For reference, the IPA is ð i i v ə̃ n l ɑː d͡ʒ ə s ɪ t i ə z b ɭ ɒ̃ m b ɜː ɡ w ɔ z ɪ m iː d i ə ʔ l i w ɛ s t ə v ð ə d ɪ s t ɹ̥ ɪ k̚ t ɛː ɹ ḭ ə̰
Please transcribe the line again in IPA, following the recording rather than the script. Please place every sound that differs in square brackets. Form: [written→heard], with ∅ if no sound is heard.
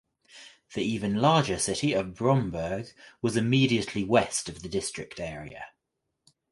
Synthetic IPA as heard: ð i [i→iː] v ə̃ n l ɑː d͡ʒ ə s ɪ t i ə [z→v] b [ɭ→ɹ] ɒ̃ m b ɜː ɡ w [ɔ→ɒ] z ɪ m iː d i ə ʔ l i w ɛ s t ə v ð ə d ɪ s t ɹ̥ ɪ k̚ t ɛː ɹ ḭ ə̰